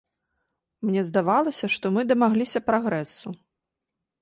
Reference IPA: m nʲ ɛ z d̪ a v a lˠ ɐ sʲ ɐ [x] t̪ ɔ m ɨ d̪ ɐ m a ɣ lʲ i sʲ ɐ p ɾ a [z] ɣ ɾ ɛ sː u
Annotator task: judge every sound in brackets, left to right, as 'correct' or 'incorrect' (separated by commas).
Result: incorrect, incorrect